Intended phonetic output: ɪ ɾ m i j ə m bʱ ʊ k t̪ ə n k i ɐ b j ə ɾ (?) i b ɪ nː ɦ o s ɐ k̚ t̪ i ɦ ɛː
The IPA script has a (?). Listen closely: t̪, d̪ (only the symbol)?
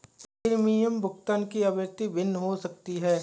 t̪